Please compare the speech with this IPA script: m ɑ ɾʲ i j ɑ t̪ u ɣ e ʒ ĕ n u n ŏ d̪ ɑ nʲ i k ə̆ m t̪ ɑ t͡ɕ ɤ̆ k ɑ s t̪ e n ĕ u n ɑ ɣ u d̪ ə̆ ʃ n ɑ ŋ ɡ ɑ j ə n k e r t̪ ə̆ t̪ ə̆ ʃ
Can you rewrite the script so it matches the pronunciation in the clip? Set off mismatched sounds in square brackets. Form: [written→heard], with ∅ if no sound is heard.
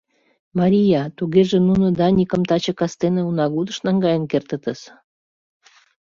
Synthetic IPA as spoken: m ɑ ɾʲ i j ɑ t̪ u ɣ e ʒ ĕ n u n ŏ d̪ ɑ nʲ i k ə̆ m t̪ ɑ t͡ɕ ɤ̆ k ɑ s t̪ e n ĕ u n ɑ ɣ u d̪ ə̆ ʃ n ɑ ŋ ɡ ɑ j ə n k e r t̪ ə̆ t̪ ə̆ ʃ